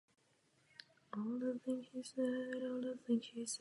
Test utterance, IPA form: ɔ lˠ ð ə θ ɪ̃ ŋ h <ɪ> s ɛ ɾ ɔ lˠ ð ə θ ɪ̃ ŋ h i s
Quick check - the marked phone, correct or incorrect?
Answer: incorrect